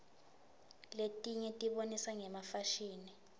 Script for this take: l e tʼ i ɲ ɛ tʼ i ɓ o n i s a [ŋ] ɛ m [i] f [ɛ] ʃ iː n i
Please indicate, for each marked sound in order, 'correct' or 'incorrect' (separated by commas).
correct, incorrect, incorrect